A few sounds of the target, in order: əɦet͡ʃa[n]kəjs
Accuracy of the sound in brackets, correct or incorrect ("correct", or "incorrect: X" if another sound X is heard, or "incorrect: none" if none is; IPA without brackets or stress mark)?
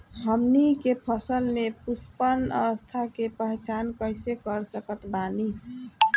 correct